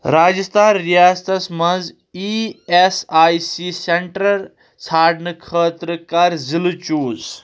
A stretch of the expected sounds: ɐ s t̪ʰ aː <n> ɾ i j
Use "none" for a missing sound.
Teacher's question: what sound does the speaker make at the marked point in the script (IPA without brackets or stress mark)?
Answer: n